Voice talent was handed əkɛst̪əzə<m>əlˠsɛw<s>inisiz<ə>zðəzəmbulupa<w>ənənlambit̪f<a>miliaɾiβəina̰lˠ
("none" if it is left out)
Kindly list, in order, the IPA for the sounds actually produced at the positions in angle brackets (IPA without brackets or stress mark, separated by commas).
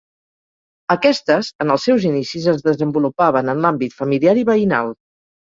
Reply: n, z, ə, β, ə